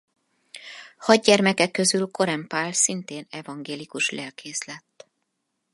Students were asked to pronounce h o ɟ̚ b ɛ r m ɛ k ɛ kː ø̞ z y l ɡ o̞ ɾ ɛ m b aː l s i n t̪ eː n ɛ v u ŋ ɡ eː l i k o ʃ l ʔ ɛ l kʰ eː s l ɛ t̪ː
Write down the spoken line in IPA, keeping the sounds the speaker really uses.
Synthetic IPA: h ɒ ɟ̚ ɟ ɛ r m ɛ k ɛ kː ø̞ z y l k o̞ ɾ ɛ m p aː l s i n t̪ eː n ɛ v ɒ ŋ ɡ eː l i k u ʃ l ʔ ɛ l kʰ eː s l ɛ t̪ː